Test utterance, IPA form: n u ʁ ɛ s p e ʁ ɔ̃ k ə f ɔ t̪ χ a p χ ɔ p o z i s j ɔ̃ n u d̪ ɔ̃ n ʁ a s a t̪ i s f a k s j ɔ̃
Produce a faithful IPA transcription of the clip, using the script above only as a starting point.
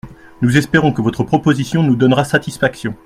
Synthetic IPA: n u z ɛ s p e ʁ ɔ̃ k ə v ɔ t̪ χ ə p χ ɔ p o z i s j ɔ̃ n u d̪ ɔ n ʁ a s a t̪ i s f a k s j ɔ̃